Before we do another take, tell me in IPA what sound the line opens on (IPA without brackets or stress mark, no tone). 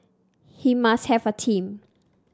h